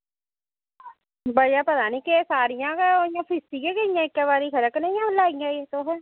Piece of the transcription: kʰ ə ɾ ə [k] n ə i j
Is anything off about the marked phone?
no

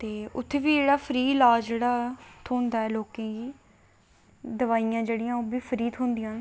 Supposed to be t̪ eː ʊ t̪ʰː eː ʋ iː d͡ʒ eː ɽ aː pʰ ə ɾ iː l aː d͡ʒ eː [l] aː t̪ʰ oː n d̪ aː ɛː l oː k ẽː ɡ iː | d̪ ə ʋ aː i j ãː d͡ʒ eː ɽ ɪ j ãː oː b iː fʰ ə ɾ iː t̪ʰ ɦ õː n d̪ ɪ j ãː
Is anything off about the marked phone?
yes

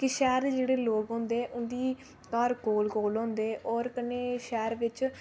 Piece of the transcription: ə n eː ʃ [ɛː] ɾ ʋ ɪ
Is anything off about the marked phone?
no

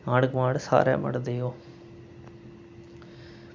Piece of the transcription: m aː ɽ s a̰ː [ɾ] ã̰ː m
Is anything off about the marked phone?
no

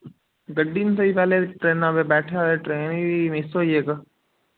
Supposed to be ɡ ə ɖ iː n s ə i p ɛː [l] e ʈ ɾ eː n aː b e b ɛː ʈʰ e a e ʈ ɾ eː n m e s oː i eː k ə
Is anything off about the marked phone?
no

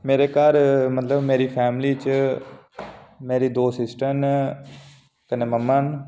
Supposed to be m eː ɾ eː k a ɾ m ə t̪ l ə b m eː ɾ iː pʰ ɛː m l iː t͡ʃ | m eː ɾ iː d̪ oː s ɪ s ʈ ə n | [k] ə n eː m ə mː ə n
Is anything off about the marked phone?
no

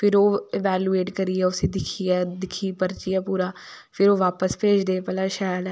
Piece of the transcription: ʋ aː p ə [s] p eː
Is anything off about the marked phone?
no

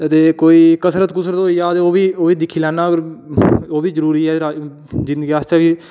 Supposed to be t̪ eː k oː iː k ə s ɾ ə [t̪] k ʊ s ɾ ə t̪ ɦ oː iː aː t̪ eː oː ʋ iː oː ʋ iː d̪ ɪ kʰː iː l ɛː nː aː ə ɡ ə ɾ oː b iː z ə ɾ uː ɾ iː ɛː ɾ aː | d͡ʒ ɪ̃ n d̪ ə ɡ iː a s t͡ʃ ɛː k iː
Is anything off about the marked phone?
no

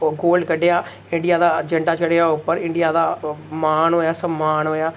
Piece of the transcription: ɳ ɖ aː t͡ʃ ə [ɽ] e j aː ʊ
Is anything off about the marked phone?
no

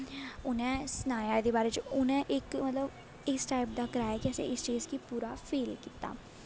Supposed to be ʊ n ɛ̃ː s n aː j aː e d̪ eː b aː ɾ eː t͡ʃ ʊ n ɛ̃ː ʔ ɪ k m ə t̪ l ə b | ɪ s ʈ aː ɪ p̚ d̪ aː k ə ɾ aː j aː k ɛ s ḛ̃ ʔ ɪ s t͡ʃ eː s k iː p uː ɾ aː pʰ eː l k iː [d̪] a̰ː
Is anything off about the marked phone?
yes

